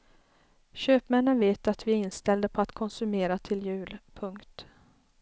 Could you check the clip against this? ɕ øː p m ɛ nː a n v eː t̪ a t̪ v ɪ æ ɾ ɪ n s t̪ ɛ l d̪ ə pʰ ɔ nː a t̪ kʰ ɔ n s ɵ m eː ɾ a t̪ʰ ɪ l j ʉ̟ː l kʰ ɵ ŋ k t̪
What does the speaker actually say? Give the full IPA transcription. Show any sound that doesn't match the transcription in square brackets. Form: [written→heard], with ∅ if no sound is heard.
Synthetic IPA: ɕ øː p m ɛ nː [a→ə] n v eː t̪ a t̪ v ɪ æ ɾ ɪ n s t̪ ɛ l d̪ ə pʰ ɔ [nː→∅] a t̪ kʰ ɔ n s ɵ m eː ɾ a t̪ʰ ɪ l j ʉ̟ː l [kʰ→pʰ] ɵ ŋ k t̪